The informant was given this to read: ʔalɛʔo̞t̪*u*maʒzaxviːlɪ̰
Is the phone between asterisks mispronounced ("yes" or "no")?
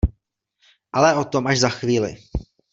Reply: yes